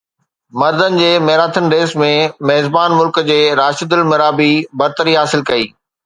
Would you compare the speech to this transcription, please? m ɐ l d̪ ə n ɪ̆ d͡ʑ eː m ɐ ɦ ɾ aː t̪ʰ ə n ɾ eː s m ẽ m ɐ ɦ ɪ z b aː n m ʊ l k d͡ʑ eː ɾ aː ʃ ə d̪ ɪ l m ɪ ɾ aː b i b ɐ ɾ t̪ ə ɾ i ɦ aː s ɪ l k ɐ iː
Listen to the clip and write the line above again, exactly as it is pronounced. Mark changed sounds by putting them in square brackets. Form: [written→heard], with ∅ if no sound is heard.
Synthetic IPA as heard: m ɐ [l→ɾ] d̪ ə n ɪ̆ d͡ʑ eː m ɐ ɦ ɾ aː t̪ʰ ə n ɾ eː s m ẽ m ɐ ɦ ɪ z b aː n m ʊ l k d͡ʑ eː ɾ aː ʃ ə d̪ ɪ l m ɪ ɾ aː b i b ɐ ɾ t̪ ə ɾ i ɦ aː s ɪ l k ɐ iː